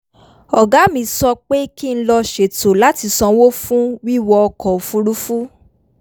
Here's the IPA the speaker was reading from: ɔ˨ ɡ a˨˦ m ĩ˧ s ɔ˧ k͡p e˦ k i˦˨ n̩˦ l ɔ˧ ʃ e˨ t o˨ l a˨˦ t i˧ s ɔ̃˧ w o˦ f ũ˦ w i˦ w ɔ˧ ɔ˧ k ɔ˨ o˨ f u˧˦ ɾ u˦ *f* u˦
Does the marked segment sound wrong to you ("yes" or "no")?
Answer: no